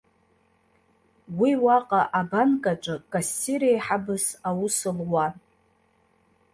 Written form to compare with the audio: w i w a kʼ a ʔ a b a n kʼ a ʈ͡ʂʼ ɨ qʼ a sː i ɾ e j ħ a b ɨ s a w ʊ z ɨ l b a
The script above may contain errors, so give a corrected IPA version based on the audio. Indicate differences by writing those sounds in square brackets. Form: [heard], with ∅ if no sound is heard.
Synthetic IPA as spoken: w i w a [qʼ] a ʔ a b a n kʼ a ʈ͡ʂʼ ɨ [kʼ] a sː i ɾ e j ħ a b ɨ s a w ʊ [s] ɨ l [w] a